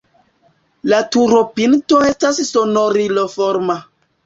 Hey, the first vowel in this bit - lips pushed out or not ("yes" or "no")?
no